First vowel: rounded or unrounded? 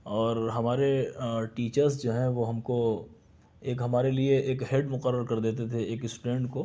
rounded